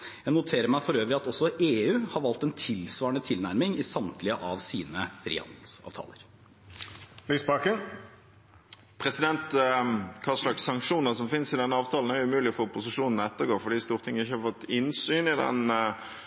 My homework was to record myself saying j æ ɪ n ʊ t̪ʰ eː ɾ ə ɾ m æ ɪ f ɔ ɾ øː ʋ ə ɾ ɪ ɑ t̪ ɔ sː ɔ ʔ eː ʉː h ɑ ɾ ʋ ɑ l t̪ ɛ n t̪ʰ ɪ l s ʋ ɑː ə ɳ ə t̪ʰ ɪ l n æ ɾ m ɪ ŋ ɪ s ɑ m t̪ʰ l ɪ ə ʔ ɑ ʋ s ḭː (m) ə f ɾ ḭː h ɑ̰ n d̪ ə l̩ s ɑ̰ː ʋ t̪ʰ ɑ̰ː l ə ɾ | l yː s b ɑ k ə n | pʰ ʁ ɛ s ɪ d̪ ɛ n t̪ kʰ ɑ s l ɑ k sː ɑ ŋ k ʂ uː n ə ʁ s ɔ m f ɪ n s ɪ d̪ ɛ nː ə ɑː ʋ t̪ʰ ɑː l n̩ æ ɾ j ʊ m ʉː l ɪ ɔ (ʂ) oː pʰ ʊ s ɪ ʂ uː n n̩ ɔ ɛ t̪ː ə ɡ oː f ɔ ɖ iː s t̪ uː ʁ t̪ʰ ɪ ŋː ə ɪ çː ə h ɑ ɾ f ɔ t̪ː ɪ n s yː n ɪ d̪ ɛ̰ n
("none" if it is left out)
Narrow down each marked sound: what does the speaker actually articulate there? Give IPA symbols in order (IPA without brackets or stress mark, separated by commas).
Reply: n, f